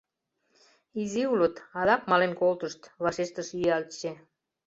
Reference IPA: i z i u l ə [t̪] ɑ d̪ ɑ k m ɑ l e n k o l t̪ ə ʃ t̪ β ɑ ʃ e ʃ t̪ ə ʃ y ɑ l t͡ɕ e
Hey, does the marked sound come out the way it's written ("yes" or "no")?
yes